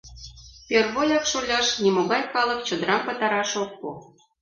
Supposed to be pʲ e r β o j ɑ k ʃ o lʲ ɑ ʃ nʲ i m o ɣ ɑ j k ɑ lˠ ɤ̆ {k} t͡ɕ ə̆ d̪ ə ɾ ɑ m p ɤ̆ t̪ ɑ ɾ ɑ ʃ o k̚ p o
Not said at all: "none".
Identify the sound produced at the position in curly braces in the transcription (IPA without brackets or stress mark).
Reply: k